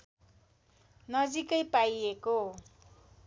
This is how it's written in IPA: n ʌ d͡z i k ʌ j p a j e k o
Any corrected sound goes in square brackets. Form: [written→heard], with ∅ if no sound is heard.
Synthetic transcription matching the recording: n ʌ d͡z i k ʌ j p a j e k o